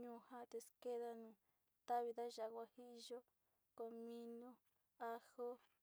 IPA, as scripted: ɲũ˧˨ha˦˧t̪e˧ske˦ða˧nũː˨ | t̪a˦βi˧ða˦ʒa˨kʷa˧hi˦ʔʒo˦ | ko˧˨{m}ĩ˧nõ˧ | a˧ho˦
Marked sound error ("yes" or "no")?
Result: no